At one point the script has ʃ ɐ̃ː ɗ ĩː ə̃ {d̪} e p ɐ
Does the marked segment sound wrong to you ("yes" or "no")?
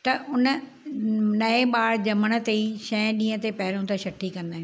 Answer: yes